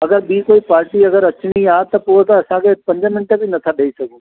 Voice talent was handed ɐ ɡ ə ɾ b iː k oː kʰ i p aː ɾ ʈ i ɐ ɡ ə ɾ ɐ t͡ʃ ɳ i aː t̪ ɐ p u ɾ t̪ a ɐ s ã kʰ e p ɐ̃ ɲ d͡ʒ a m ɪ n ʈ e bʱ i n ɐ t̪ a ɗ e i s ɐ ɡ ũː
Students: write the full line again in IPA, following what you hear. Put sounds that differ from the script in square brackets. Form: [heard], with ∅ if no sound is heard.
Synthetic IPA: ɐ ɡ ə ɾ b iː k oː [∅] i p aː ɾ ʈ i ɐ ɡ ə ɾ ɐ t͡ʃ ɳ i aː t̪ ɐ p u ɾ t̪ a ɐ s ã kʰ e p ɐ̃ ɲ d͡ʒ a m ɪ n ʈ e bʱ i n ɐ [t̪ʰ] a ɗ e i s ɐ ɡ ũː

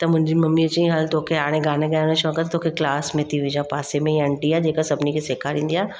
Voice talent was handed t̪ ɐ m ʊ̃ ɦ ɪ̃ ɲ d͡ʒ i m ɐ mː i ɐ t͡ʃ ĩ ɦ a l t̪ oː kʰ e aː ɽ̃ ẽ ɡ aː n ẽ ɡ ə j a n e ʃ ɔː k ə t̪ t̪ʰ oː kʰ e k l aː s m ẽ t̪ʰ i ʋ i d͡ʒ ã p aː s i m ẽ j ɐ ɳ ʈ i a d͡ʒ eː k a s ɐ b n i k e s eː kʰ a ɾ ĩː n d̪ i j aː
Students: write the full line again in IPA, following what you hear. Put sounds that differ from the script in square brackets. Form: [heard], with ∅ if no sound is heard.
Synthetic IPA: t̪ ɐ m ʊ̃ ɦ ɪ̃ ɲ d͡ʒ i m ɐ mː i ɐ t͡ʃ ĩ ɦ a l t̪ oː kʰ e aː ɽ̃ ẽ ɡ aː n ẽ ɡ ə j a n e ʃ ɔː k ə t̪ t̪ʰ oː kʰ e k l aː s m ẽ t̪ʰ i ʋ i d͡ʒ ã p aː s [e] m ẽ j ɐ ɳ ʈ i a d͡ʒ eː k a s ɐ b n i k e s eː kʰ a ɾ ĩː n d̪ i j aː

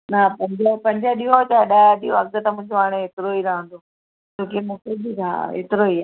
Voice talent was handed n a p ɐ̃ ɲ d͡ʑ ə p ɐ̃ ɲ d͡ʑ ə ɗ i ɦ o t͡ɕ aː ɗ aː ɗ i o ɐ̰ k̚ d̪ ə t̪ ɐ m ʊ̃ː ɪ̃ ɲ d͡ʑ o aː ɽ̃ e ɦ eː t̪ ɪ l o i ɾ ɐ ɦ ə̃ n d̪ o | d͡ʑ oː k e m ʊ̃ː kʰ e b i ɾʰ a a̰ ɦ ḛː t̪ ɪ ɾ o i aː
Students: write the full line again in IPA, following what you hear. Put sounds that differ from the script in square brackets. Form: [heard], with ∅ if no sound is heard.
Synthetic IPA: n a p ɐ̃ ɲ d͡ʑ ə p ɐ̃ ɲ d͡ʑ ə ɗ i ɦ o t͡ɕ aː ɗ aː ɗ i o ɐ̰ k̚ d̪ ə t̪ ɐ m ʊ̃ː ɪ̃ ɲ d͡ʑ o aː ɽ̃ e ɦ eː t̪ ɪ [ɾ] o i ɾ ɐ ɦ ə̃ n d̪ o | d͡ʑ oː k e m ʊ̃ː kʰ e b i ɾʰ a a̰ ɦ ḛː t̪ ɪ ɾ o i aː

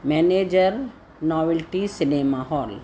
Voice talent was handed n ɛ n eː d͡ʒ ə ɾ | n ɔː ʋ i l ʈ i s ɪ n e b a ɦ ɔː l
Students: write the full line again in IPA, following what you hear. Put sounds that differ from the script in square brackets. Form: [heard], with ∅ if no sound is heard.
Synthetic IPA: [m] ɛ n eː d͡ʒ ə ɾ | n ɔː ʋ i l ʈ i s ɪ n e [m] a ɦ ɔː l

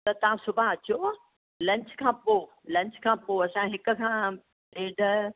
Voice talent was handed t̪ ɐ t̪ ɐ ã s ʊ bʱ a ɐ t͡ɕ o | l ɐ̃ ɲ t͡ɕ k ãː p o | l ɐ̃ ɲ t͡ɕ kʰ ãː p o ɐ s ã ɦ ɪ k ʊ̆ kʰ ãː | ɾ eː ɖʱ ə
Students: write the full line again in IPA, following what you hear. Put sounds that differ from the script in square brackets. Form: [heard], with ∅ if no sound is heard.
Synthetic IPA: t̪ ɐ t̪ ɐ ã s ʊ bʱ a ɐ t͡ɕ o | l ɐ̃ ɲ t͡ɕ [kʰ] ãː p o | l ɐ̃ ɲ t͡ɕ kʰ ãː p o ɐ s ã ɦ ɪ k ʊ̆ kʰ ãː | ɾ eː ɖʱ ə

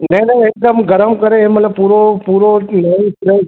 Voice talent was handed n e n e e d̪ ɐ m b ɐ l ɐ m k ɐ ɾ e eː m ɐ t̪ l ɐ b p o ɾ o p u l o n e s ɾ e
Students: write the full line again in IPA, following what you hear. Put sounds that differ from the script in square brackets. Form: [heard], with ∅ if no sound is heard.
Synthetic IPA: n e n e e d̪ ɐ m [ɡ] ɐ [ɾ] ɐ m k ɐ ɾ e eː m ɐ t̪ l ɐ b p [u] ɾ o p u [ɾ] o n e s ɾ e

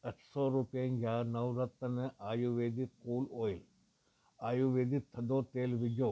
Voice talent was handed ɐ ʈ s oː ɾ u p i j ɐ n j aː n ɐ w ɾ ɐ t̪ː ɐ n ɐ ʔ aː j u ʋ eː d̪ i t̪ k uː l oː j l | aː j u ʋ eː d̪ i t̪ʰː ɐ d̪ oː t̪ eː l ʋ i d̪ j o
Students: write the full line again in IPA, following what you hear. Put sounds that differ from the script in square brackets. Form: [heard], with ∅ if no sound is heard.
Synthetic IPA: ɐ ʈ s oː ɾ u p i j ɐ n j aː n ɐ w ɾ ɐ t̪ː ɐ n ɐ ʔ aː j u ʋ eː d̪ i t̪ k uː l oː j l | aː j u ʋ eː d̪ i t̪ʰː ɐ d̪ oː t̪ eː l ʋ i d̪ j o

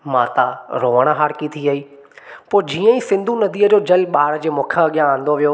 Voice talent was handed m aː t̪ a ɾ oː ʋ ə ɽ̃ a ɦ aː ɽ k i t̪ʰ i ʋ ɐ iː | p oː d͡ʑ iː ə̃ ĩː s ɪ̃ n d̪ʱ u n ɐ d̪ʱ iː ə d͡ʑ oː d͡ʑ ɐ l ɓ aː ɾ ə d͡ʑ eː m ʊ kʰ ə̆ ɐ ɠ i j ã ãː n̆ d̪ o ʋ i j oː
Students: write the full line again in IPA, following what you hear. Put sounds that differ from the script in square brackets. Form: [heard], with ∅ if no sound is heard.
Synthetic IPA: m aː t̪ a ɾ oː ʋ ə ɽ̃ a ɦ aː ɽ k i t̪ʰ i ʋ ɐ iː | p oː d͡ʑ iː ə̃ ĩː s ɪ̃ n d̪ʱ u n ɐ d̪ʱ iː ə d͡ʑ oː d͡ʑ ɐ l ɓ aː ɾ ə d͡ʑ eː m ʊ kʰ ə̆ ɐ ɠ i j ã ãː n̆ d̪ o ʋ i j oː

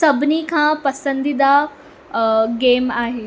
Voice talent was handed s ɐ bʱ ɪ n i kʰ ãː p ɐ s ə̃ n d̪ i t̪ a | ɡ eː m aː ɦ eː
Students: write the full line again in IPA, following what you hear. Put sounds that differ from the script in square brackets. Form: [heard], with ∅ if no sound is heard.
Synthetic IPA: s ɐ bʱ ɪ n i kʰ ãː p ɐ s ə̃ n d̪ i [d̪] a | ɡ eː m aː ɦ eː

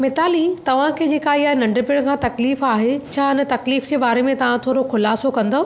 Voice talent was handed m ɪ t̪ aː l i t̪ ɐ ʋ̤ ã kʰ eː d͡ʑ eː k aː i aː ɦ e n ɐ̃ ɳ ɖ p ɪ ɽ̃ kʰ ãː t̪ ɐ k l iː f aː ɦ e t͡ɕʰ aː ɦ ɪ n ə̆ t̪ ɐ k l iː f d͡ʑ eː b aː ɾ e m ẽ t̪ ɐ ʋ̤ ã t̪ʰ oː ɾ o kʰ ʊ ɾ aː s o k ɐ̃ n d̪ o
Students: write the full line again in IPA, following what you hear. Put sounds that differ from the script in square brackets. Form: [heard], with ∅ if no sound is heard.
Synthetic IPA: m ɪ t̪ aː l i t̪ ɐ ʋ̤ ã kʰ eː d͡ʑ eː k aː i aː ɦ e n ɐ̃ ɳ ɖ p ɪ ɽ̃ kʰ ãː t̪ ɐ k l iː f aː ɦ e t͡ɕʰ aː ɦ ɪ n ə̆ t̪ ɐ k l iː f d͡ʑ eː b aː ɾ e m ẽ t̪ ɐ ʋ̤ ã t̪ʰ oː ɾ o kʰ ʊ [l] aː s o k ɐ̃ n d̪ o

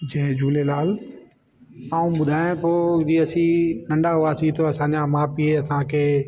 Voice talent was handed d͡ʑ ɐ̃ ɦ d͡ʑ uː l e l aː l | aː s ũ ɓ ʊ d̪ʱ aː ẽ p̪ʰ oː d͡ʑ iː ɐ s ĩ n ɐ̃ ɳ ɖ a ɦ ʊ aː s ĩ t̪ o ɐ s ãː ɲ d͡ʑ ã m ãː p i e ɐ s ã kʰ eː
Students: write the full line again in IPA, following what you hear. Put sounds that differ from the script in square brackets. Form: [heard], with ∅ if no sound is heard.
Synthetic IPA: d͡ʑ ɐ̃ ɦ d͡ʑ uː l e l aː l | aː [∅] ũ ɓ ʊ d̪ʱ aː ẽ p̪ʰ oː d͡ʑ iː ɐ s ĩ n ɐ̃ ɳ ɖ a ɦ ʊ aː s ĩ t̪ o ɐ s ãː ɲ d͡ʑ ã m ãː p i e ɐ s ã kʰ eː

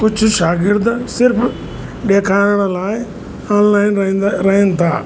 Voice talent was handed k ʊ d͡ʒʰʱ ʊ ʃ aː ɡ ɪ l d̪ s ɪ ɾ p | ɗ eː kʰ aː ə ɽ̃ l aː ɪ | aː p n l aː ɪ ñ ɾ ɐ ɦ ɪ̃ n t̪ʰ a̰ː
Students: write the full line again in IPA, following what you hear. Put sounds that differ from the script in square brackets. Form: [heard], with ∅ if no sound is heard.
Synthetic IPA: k ʊ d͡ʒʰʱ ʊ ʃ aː ɡ ɪ [ɾ] d̪ s ɪ ɾ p | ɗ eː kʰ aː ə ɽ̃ l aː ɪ | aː [∅] n l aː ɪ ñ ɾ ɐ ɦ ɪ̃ n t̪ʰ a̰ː

